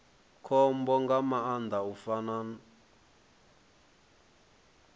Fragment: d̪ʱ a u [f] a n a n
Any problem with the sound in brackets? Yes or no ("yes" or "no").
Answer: no